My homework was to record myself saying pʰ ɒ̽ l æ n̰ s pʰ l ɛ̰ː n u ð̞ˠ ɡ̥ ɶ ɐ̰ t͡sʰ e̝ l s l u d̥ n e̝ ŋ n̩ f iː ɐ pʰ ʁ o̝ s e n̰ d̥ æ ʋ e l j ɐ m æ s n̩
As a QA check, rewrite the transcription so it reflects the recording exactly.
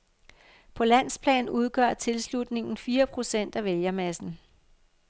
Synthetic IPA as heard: pʰ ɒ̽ l æ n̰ s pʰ l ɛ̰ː n u ð̞ˠ ɡ̥ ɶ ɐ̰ t͡sʰ e̝ l s l u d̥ n e̝ ŋ n̩ f iː ɐ pʰ ʁ o̝ s e n̰ d̥ æ ʋ e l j ɐ m æ s n̩